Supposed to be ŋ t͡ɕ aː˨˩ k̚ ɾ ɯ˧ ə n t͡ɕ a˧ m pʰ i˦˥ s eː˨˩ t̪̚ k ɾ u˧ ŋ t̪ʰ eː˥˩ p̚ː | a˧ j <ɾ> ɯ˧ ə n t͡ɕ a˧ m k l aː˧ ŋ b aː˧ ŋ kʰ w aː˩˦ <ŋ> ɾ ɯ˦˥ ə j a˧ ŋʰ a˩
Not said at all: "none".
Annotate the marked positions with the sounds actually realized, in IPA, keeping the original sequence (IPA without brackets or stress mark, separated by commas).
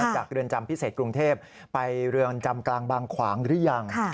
ɾ, ŋ